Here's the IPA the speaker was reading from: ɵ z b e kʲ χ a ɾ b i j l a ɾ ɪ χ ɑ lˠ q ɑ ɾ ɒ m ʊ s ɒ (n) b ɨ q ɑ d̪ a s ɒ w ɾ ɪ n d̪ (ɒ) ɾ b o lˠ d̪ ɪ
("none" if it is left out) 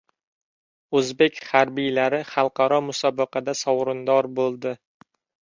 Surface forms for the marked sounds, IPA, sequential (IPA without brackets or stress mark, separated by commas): none, ɒ